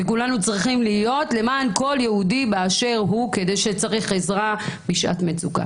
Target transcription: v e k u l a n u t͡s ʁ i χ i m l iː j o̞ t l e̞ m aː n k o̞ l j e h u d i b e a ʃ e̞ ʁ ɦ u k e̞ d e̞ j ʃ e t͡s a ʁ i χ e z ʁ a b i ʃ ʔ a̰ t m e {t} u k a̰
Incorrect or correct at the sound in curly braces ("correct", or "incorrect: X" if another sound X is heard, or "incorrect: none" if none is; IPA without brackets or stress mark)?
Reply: incorrect: t͡s